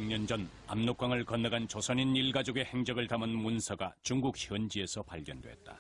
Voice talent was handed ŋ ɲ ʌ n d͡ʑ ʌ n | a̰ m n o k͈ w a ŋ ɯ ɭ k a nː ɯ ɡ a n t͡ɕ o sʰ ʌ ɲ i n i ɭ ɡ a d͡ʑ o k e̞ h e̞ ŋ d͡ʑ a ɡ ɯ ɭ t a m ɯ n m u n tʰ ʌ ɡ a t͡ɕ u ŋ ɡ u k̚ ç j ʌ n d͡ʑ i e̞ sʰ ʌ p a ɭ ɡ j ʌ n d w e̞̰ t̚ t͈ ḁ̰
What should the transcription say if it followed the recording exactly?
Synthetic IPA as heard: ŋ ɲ ʌ n d͡ʑ ʌ n | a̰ m n o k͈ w a ŋ ɯ ɭ k ʌ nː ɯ ɡ a n t͡ɕ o sʰ ʌ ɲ i n i ɭ ɡ a d͡ʑ o ɡ e̞ h e̞ ŋ d͡ʑ ʌ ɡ ɯ ɭ t a m ɯ n m u n sʰ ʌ ɡ a t͡ɕ u ŋ ɡ u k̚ ç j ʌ n d͡ʑ i e̞ sʰ ʌ p a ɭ ɡ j ʌ n d w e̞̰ t̚ t͈ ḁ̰